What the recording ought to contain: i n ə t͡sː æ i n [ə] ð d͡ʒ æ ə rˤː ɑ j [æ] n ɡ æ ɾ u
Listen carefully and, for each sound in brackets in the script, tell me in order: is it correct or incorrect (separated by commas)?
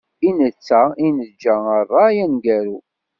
correct, correct